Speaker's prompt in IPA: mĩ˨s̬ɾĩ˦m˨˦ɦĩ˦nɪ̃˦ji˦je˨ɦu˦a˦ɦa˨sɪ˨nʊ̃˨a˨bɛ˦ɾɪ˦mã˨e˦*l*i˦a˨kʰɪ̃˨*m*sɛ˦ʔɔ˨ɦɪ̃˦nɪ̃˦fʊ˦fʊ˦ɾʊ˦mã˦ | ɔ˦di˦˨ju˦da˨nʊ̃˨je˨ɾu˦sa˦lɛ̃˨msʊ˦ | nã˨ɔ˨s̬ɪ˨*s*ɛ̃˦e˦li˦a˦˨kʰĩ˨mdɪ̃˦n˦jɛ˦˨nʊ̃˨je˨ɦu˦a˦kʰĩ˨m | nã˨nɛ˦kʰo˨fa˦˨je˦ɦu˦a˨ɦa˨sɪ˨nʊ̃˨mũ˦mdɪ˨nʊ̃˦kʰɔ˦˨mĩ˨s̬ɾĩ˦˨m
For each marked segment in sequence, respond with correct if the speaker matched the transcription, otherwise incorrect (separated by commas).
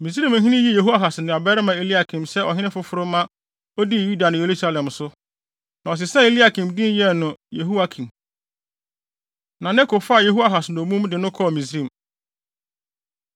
correct, correct, correct